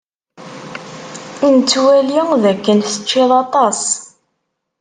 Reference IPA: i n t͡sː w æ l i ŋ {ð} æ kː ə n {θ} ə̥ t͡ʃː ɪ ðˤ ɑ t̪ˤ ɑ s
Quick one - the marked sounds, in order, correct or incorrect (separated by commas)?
correct, correct